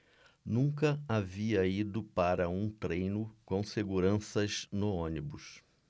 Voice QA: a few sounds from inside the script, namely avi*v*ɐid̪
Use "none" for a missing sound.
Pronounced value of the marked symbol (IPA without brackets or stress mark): none